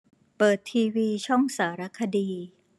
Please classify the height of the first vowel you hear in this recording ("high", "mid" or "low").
mid